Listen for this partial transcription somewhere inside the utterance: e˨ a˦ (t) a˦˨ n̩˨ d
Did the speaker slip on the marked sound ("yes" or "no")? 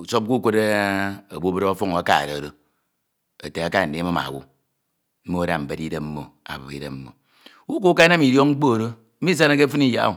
yes